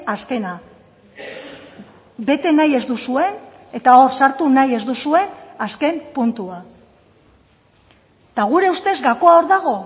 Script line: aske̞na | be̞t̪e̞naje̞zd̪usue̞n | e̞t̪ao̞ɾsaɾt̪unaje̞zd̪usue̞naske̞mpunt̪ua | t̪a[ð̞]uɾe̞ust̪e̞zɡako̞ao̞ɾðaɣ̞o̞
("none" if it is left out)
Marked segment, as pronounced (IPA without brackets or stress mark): ɣ̞